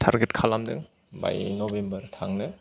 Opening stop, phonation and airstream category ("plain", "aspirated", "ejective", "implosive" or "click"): aspirated